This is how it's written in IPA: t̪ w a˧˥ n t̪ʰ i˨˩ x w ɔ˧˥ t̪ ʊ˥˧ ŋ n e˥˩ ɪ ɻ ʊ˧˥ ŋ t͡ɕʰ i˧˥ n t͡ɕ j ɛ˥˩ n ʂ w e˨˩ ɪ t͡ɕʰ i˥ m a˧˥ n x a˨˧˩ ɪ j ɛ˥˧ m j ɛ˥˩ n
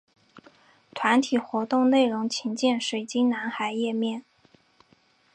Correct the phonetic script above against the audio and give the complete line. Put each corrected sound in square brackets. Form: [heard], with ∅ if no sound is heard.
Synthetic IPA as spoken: [t̪ʰ] w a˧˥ n t̪ʰ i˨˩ x w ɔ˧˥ t̪ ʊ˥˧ ŋ n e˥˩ ɪ ɻ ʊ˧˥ ŋ t͡ɕʰ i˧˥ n t͡ɕ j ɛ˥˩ n ʂ w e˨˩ ɪ [t͡ɕ] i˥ [n] a˧˥ n x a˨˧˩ ɪ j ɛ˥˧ m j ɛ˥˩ n